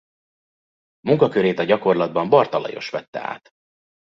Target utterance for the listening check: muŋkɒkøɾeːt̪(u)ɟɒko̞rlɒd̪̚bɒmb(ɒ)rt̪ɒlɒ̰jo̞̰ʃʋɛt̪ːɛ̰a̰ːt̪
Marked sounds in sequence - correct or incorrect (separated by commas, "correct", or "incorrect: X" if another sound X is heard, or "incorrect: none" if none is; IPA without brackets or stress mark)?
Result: incorrect: ɒ, correct